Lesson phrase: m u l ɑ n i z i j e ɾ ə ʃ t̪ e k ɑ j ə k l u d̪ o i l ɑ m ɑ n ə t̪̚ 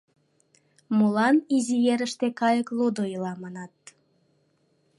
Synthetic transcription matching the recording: m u l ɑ n i z i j e ɾ ə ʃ t̪ e k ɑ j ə k l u d̪ o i l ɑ m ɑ n ɑ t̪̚

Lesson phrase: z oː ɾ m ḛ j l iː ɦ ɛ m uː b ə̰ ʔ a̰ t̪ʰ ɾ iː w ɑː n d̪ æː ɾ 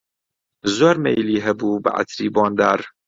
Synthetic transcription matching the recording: z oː ɾ m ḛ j l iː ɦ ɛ b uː b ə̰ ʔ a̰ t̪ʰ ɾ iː b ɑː n d̪ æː ɾ

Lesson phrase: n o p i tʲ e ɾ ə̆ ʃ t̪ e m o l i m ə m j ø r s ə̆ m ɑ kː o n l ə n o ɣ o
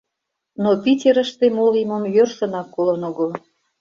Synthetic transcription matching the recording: n o p i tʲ e ɾ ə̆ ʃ t̪ e m o l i m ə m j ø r s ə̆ n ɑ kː o l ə n o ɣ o

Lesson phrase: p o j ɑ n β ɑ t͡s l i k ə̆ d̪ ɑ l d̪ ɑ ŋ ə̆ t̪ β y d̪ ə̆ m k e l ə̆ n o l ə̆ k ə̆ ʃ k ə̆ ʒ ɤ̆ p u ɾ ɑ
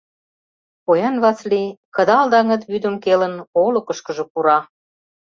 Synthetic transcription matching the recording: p o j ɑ n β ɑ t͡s l i k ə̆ d̪ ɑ l d̪ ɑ ŋ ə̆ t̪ β y d̪ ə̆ m k e l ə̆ n o l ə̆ k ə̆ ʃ k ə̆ ʒ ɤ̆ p u ɾ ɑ

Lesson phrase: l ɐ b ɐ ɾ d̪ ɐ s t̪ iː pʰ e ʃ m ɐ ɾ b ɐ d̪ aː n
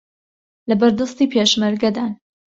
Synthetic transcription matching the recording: l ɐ b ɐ ɾ d̪ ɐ s t̪ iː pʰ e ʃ m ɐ ɾ ɡ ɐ d̪ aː n

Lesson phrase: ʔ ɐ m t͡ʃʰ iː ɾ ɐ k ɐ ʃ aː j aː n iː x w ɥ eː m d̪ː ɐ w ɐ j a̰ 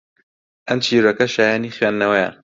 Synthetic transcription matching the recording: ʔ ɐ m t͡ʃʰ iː ɾ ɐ k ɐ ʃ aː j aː n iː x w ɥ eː n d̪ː ɐ w ɐ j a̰

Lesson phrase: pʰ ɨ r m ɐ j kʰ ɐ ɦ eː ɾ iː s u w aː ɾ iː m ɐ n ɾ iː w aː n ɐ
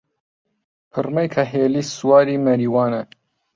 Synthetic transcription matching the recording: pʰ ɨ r m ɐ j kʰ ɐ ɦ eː l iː s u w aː ɾ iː m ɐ ɾ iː w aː n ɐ

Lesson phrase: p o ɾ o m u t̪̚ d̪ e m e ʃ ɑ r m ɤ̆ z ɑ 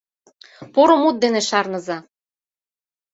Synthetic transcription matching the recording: p o ɾ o m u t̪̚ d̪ e n e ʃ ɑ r n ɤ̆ z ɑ

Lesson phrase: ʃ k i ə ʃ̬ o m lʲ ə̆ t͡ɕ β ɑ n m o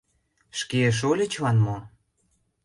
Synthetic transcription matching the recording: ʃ k e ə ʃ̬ o lʲ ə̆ t͡ɕ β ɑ n m o

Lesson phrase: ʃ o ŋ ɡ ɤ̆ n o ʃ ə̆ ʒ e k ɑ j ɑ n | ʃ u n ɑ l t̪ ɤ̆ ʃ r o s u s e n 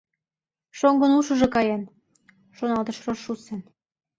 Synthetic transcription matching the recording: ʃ o ŋ ɡ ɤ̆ n u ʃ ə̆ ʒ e k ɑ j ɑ n | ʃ o n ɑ l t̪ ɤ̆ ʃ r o ʃ u s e n

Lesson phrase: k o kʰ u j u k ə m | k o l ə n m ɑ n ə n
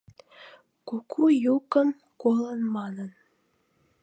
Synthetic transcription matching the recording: k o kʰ u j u k ə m | k o l ə n m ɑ n ə n

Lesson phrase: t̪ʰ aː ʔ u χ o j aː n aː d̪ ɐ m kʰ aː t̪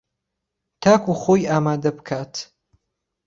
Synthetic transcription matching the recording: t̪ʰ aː k u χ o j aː m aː d̪ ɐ b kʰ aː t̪

